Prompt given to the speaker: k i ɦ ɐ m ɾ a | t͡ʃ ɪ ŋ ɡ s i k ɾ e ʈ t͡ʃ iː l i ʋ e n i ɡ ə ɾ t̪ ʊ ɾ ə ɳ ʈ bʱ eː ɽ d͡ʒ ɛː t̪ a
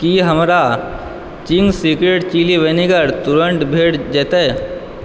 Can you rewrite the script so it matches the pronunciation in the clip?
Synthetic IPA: k i ɦ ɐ m ɾ a | t͡ʃ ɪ ŋ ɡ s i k ɾ e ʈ t͡ʃ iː l i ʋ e n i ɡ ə ɾ t̪ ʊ ɾ ə ɳ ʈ bʱ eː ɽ d͡ʒ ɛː t̪ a